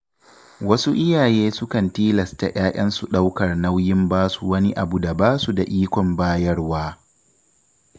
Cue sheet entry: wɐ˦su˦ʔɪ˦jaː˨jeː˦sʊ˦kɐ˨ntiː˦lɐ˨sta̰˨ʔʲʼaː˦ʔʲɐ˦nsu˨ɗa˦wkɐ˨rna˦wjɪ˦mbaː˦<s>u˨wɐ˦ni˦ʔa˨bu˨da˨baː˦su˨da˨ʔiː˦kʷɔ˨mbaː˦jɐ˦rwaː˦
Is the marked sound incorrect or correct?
correct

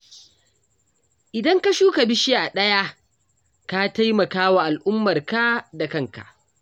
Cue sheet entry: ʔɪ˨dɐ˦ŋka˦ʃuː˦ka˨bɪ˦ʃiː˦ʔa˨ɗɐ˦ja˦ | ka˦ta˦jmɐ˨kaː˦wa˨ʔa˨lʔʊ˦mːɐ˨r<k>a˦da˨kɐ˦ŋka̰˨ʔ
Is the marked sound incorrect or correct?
correct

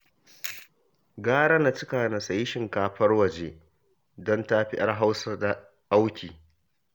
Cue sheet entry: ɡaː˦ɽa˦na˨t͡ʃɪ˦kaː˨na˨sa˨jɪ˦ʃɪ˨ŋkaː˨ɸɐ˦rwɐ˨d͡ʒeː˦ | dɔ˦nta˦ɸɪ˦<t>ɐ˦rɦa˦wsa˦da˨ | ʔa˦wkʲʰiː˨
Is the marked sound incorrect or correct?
incorrect: ʔ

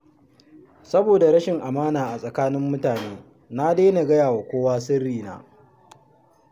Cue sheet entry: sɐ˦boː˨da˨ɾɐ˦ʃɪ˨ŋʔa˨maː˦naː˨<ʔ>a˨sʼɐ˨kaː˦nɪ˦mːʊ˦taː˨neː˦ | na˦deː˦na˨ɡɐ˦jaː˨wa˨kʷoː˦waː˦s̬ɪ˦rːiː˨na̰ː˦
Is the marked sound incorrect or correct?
correct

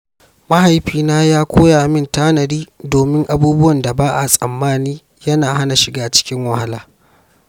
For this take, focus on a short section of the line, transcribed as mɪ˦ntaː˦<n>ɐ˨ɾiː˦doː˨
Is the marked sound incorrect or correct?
correct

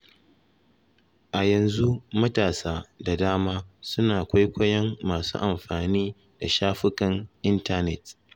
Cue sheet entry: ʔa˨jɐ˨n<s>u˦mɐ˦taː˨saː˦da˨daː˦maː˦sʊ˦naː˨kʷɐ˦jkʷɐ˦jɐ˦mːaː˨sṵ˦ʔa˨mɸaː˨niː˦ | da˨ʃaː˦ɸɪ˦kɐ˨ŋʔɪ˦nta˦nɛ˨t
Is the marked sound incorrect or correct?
incorrect: z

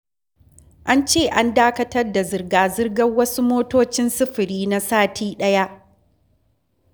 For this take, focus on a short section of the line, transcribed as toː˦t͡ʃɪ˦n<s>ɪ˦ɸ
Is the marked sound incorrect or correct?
correct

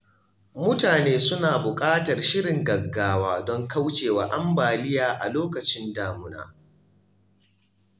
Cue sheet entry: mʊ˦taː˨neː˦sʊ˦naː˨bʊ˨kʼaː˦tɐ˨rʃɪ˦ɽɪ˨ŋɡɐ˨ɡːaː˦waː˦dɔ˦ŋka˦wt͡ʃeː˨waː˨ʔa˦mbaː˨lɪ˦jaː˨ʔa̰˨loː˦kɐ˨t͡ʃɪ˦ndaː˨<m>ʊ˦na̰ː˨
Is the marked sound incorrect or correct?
correct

